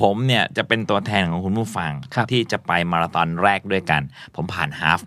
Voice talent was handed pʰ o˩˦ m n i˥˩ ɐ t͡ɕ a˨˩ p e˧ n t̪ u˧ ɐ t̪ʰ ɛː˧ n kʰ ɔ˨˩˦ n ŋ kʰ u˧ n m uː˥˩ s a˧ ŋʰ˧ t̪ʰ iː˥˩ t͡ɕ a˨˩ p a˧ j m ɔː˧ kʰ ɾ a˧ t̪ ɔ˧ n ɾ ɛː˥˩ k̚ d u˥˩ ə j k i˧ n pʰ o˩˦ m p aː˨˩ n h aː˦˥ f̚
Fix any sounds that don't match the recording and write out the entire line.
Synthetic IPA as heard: pʰ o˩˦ m n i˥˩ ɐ t͡ɕ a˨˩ p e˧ n t̪ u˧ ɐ t̪ʰ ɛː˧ n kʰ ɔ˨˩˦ ŋ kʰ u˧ n m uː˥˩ f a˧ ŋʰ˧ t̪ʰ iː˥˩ t͡ɕ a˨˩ p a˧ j m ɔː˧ ɾ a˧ t̪ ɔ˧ n ɾ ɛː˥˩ k̚ d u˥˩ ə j k a˧ n pʰ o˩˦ m pʰ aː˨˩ n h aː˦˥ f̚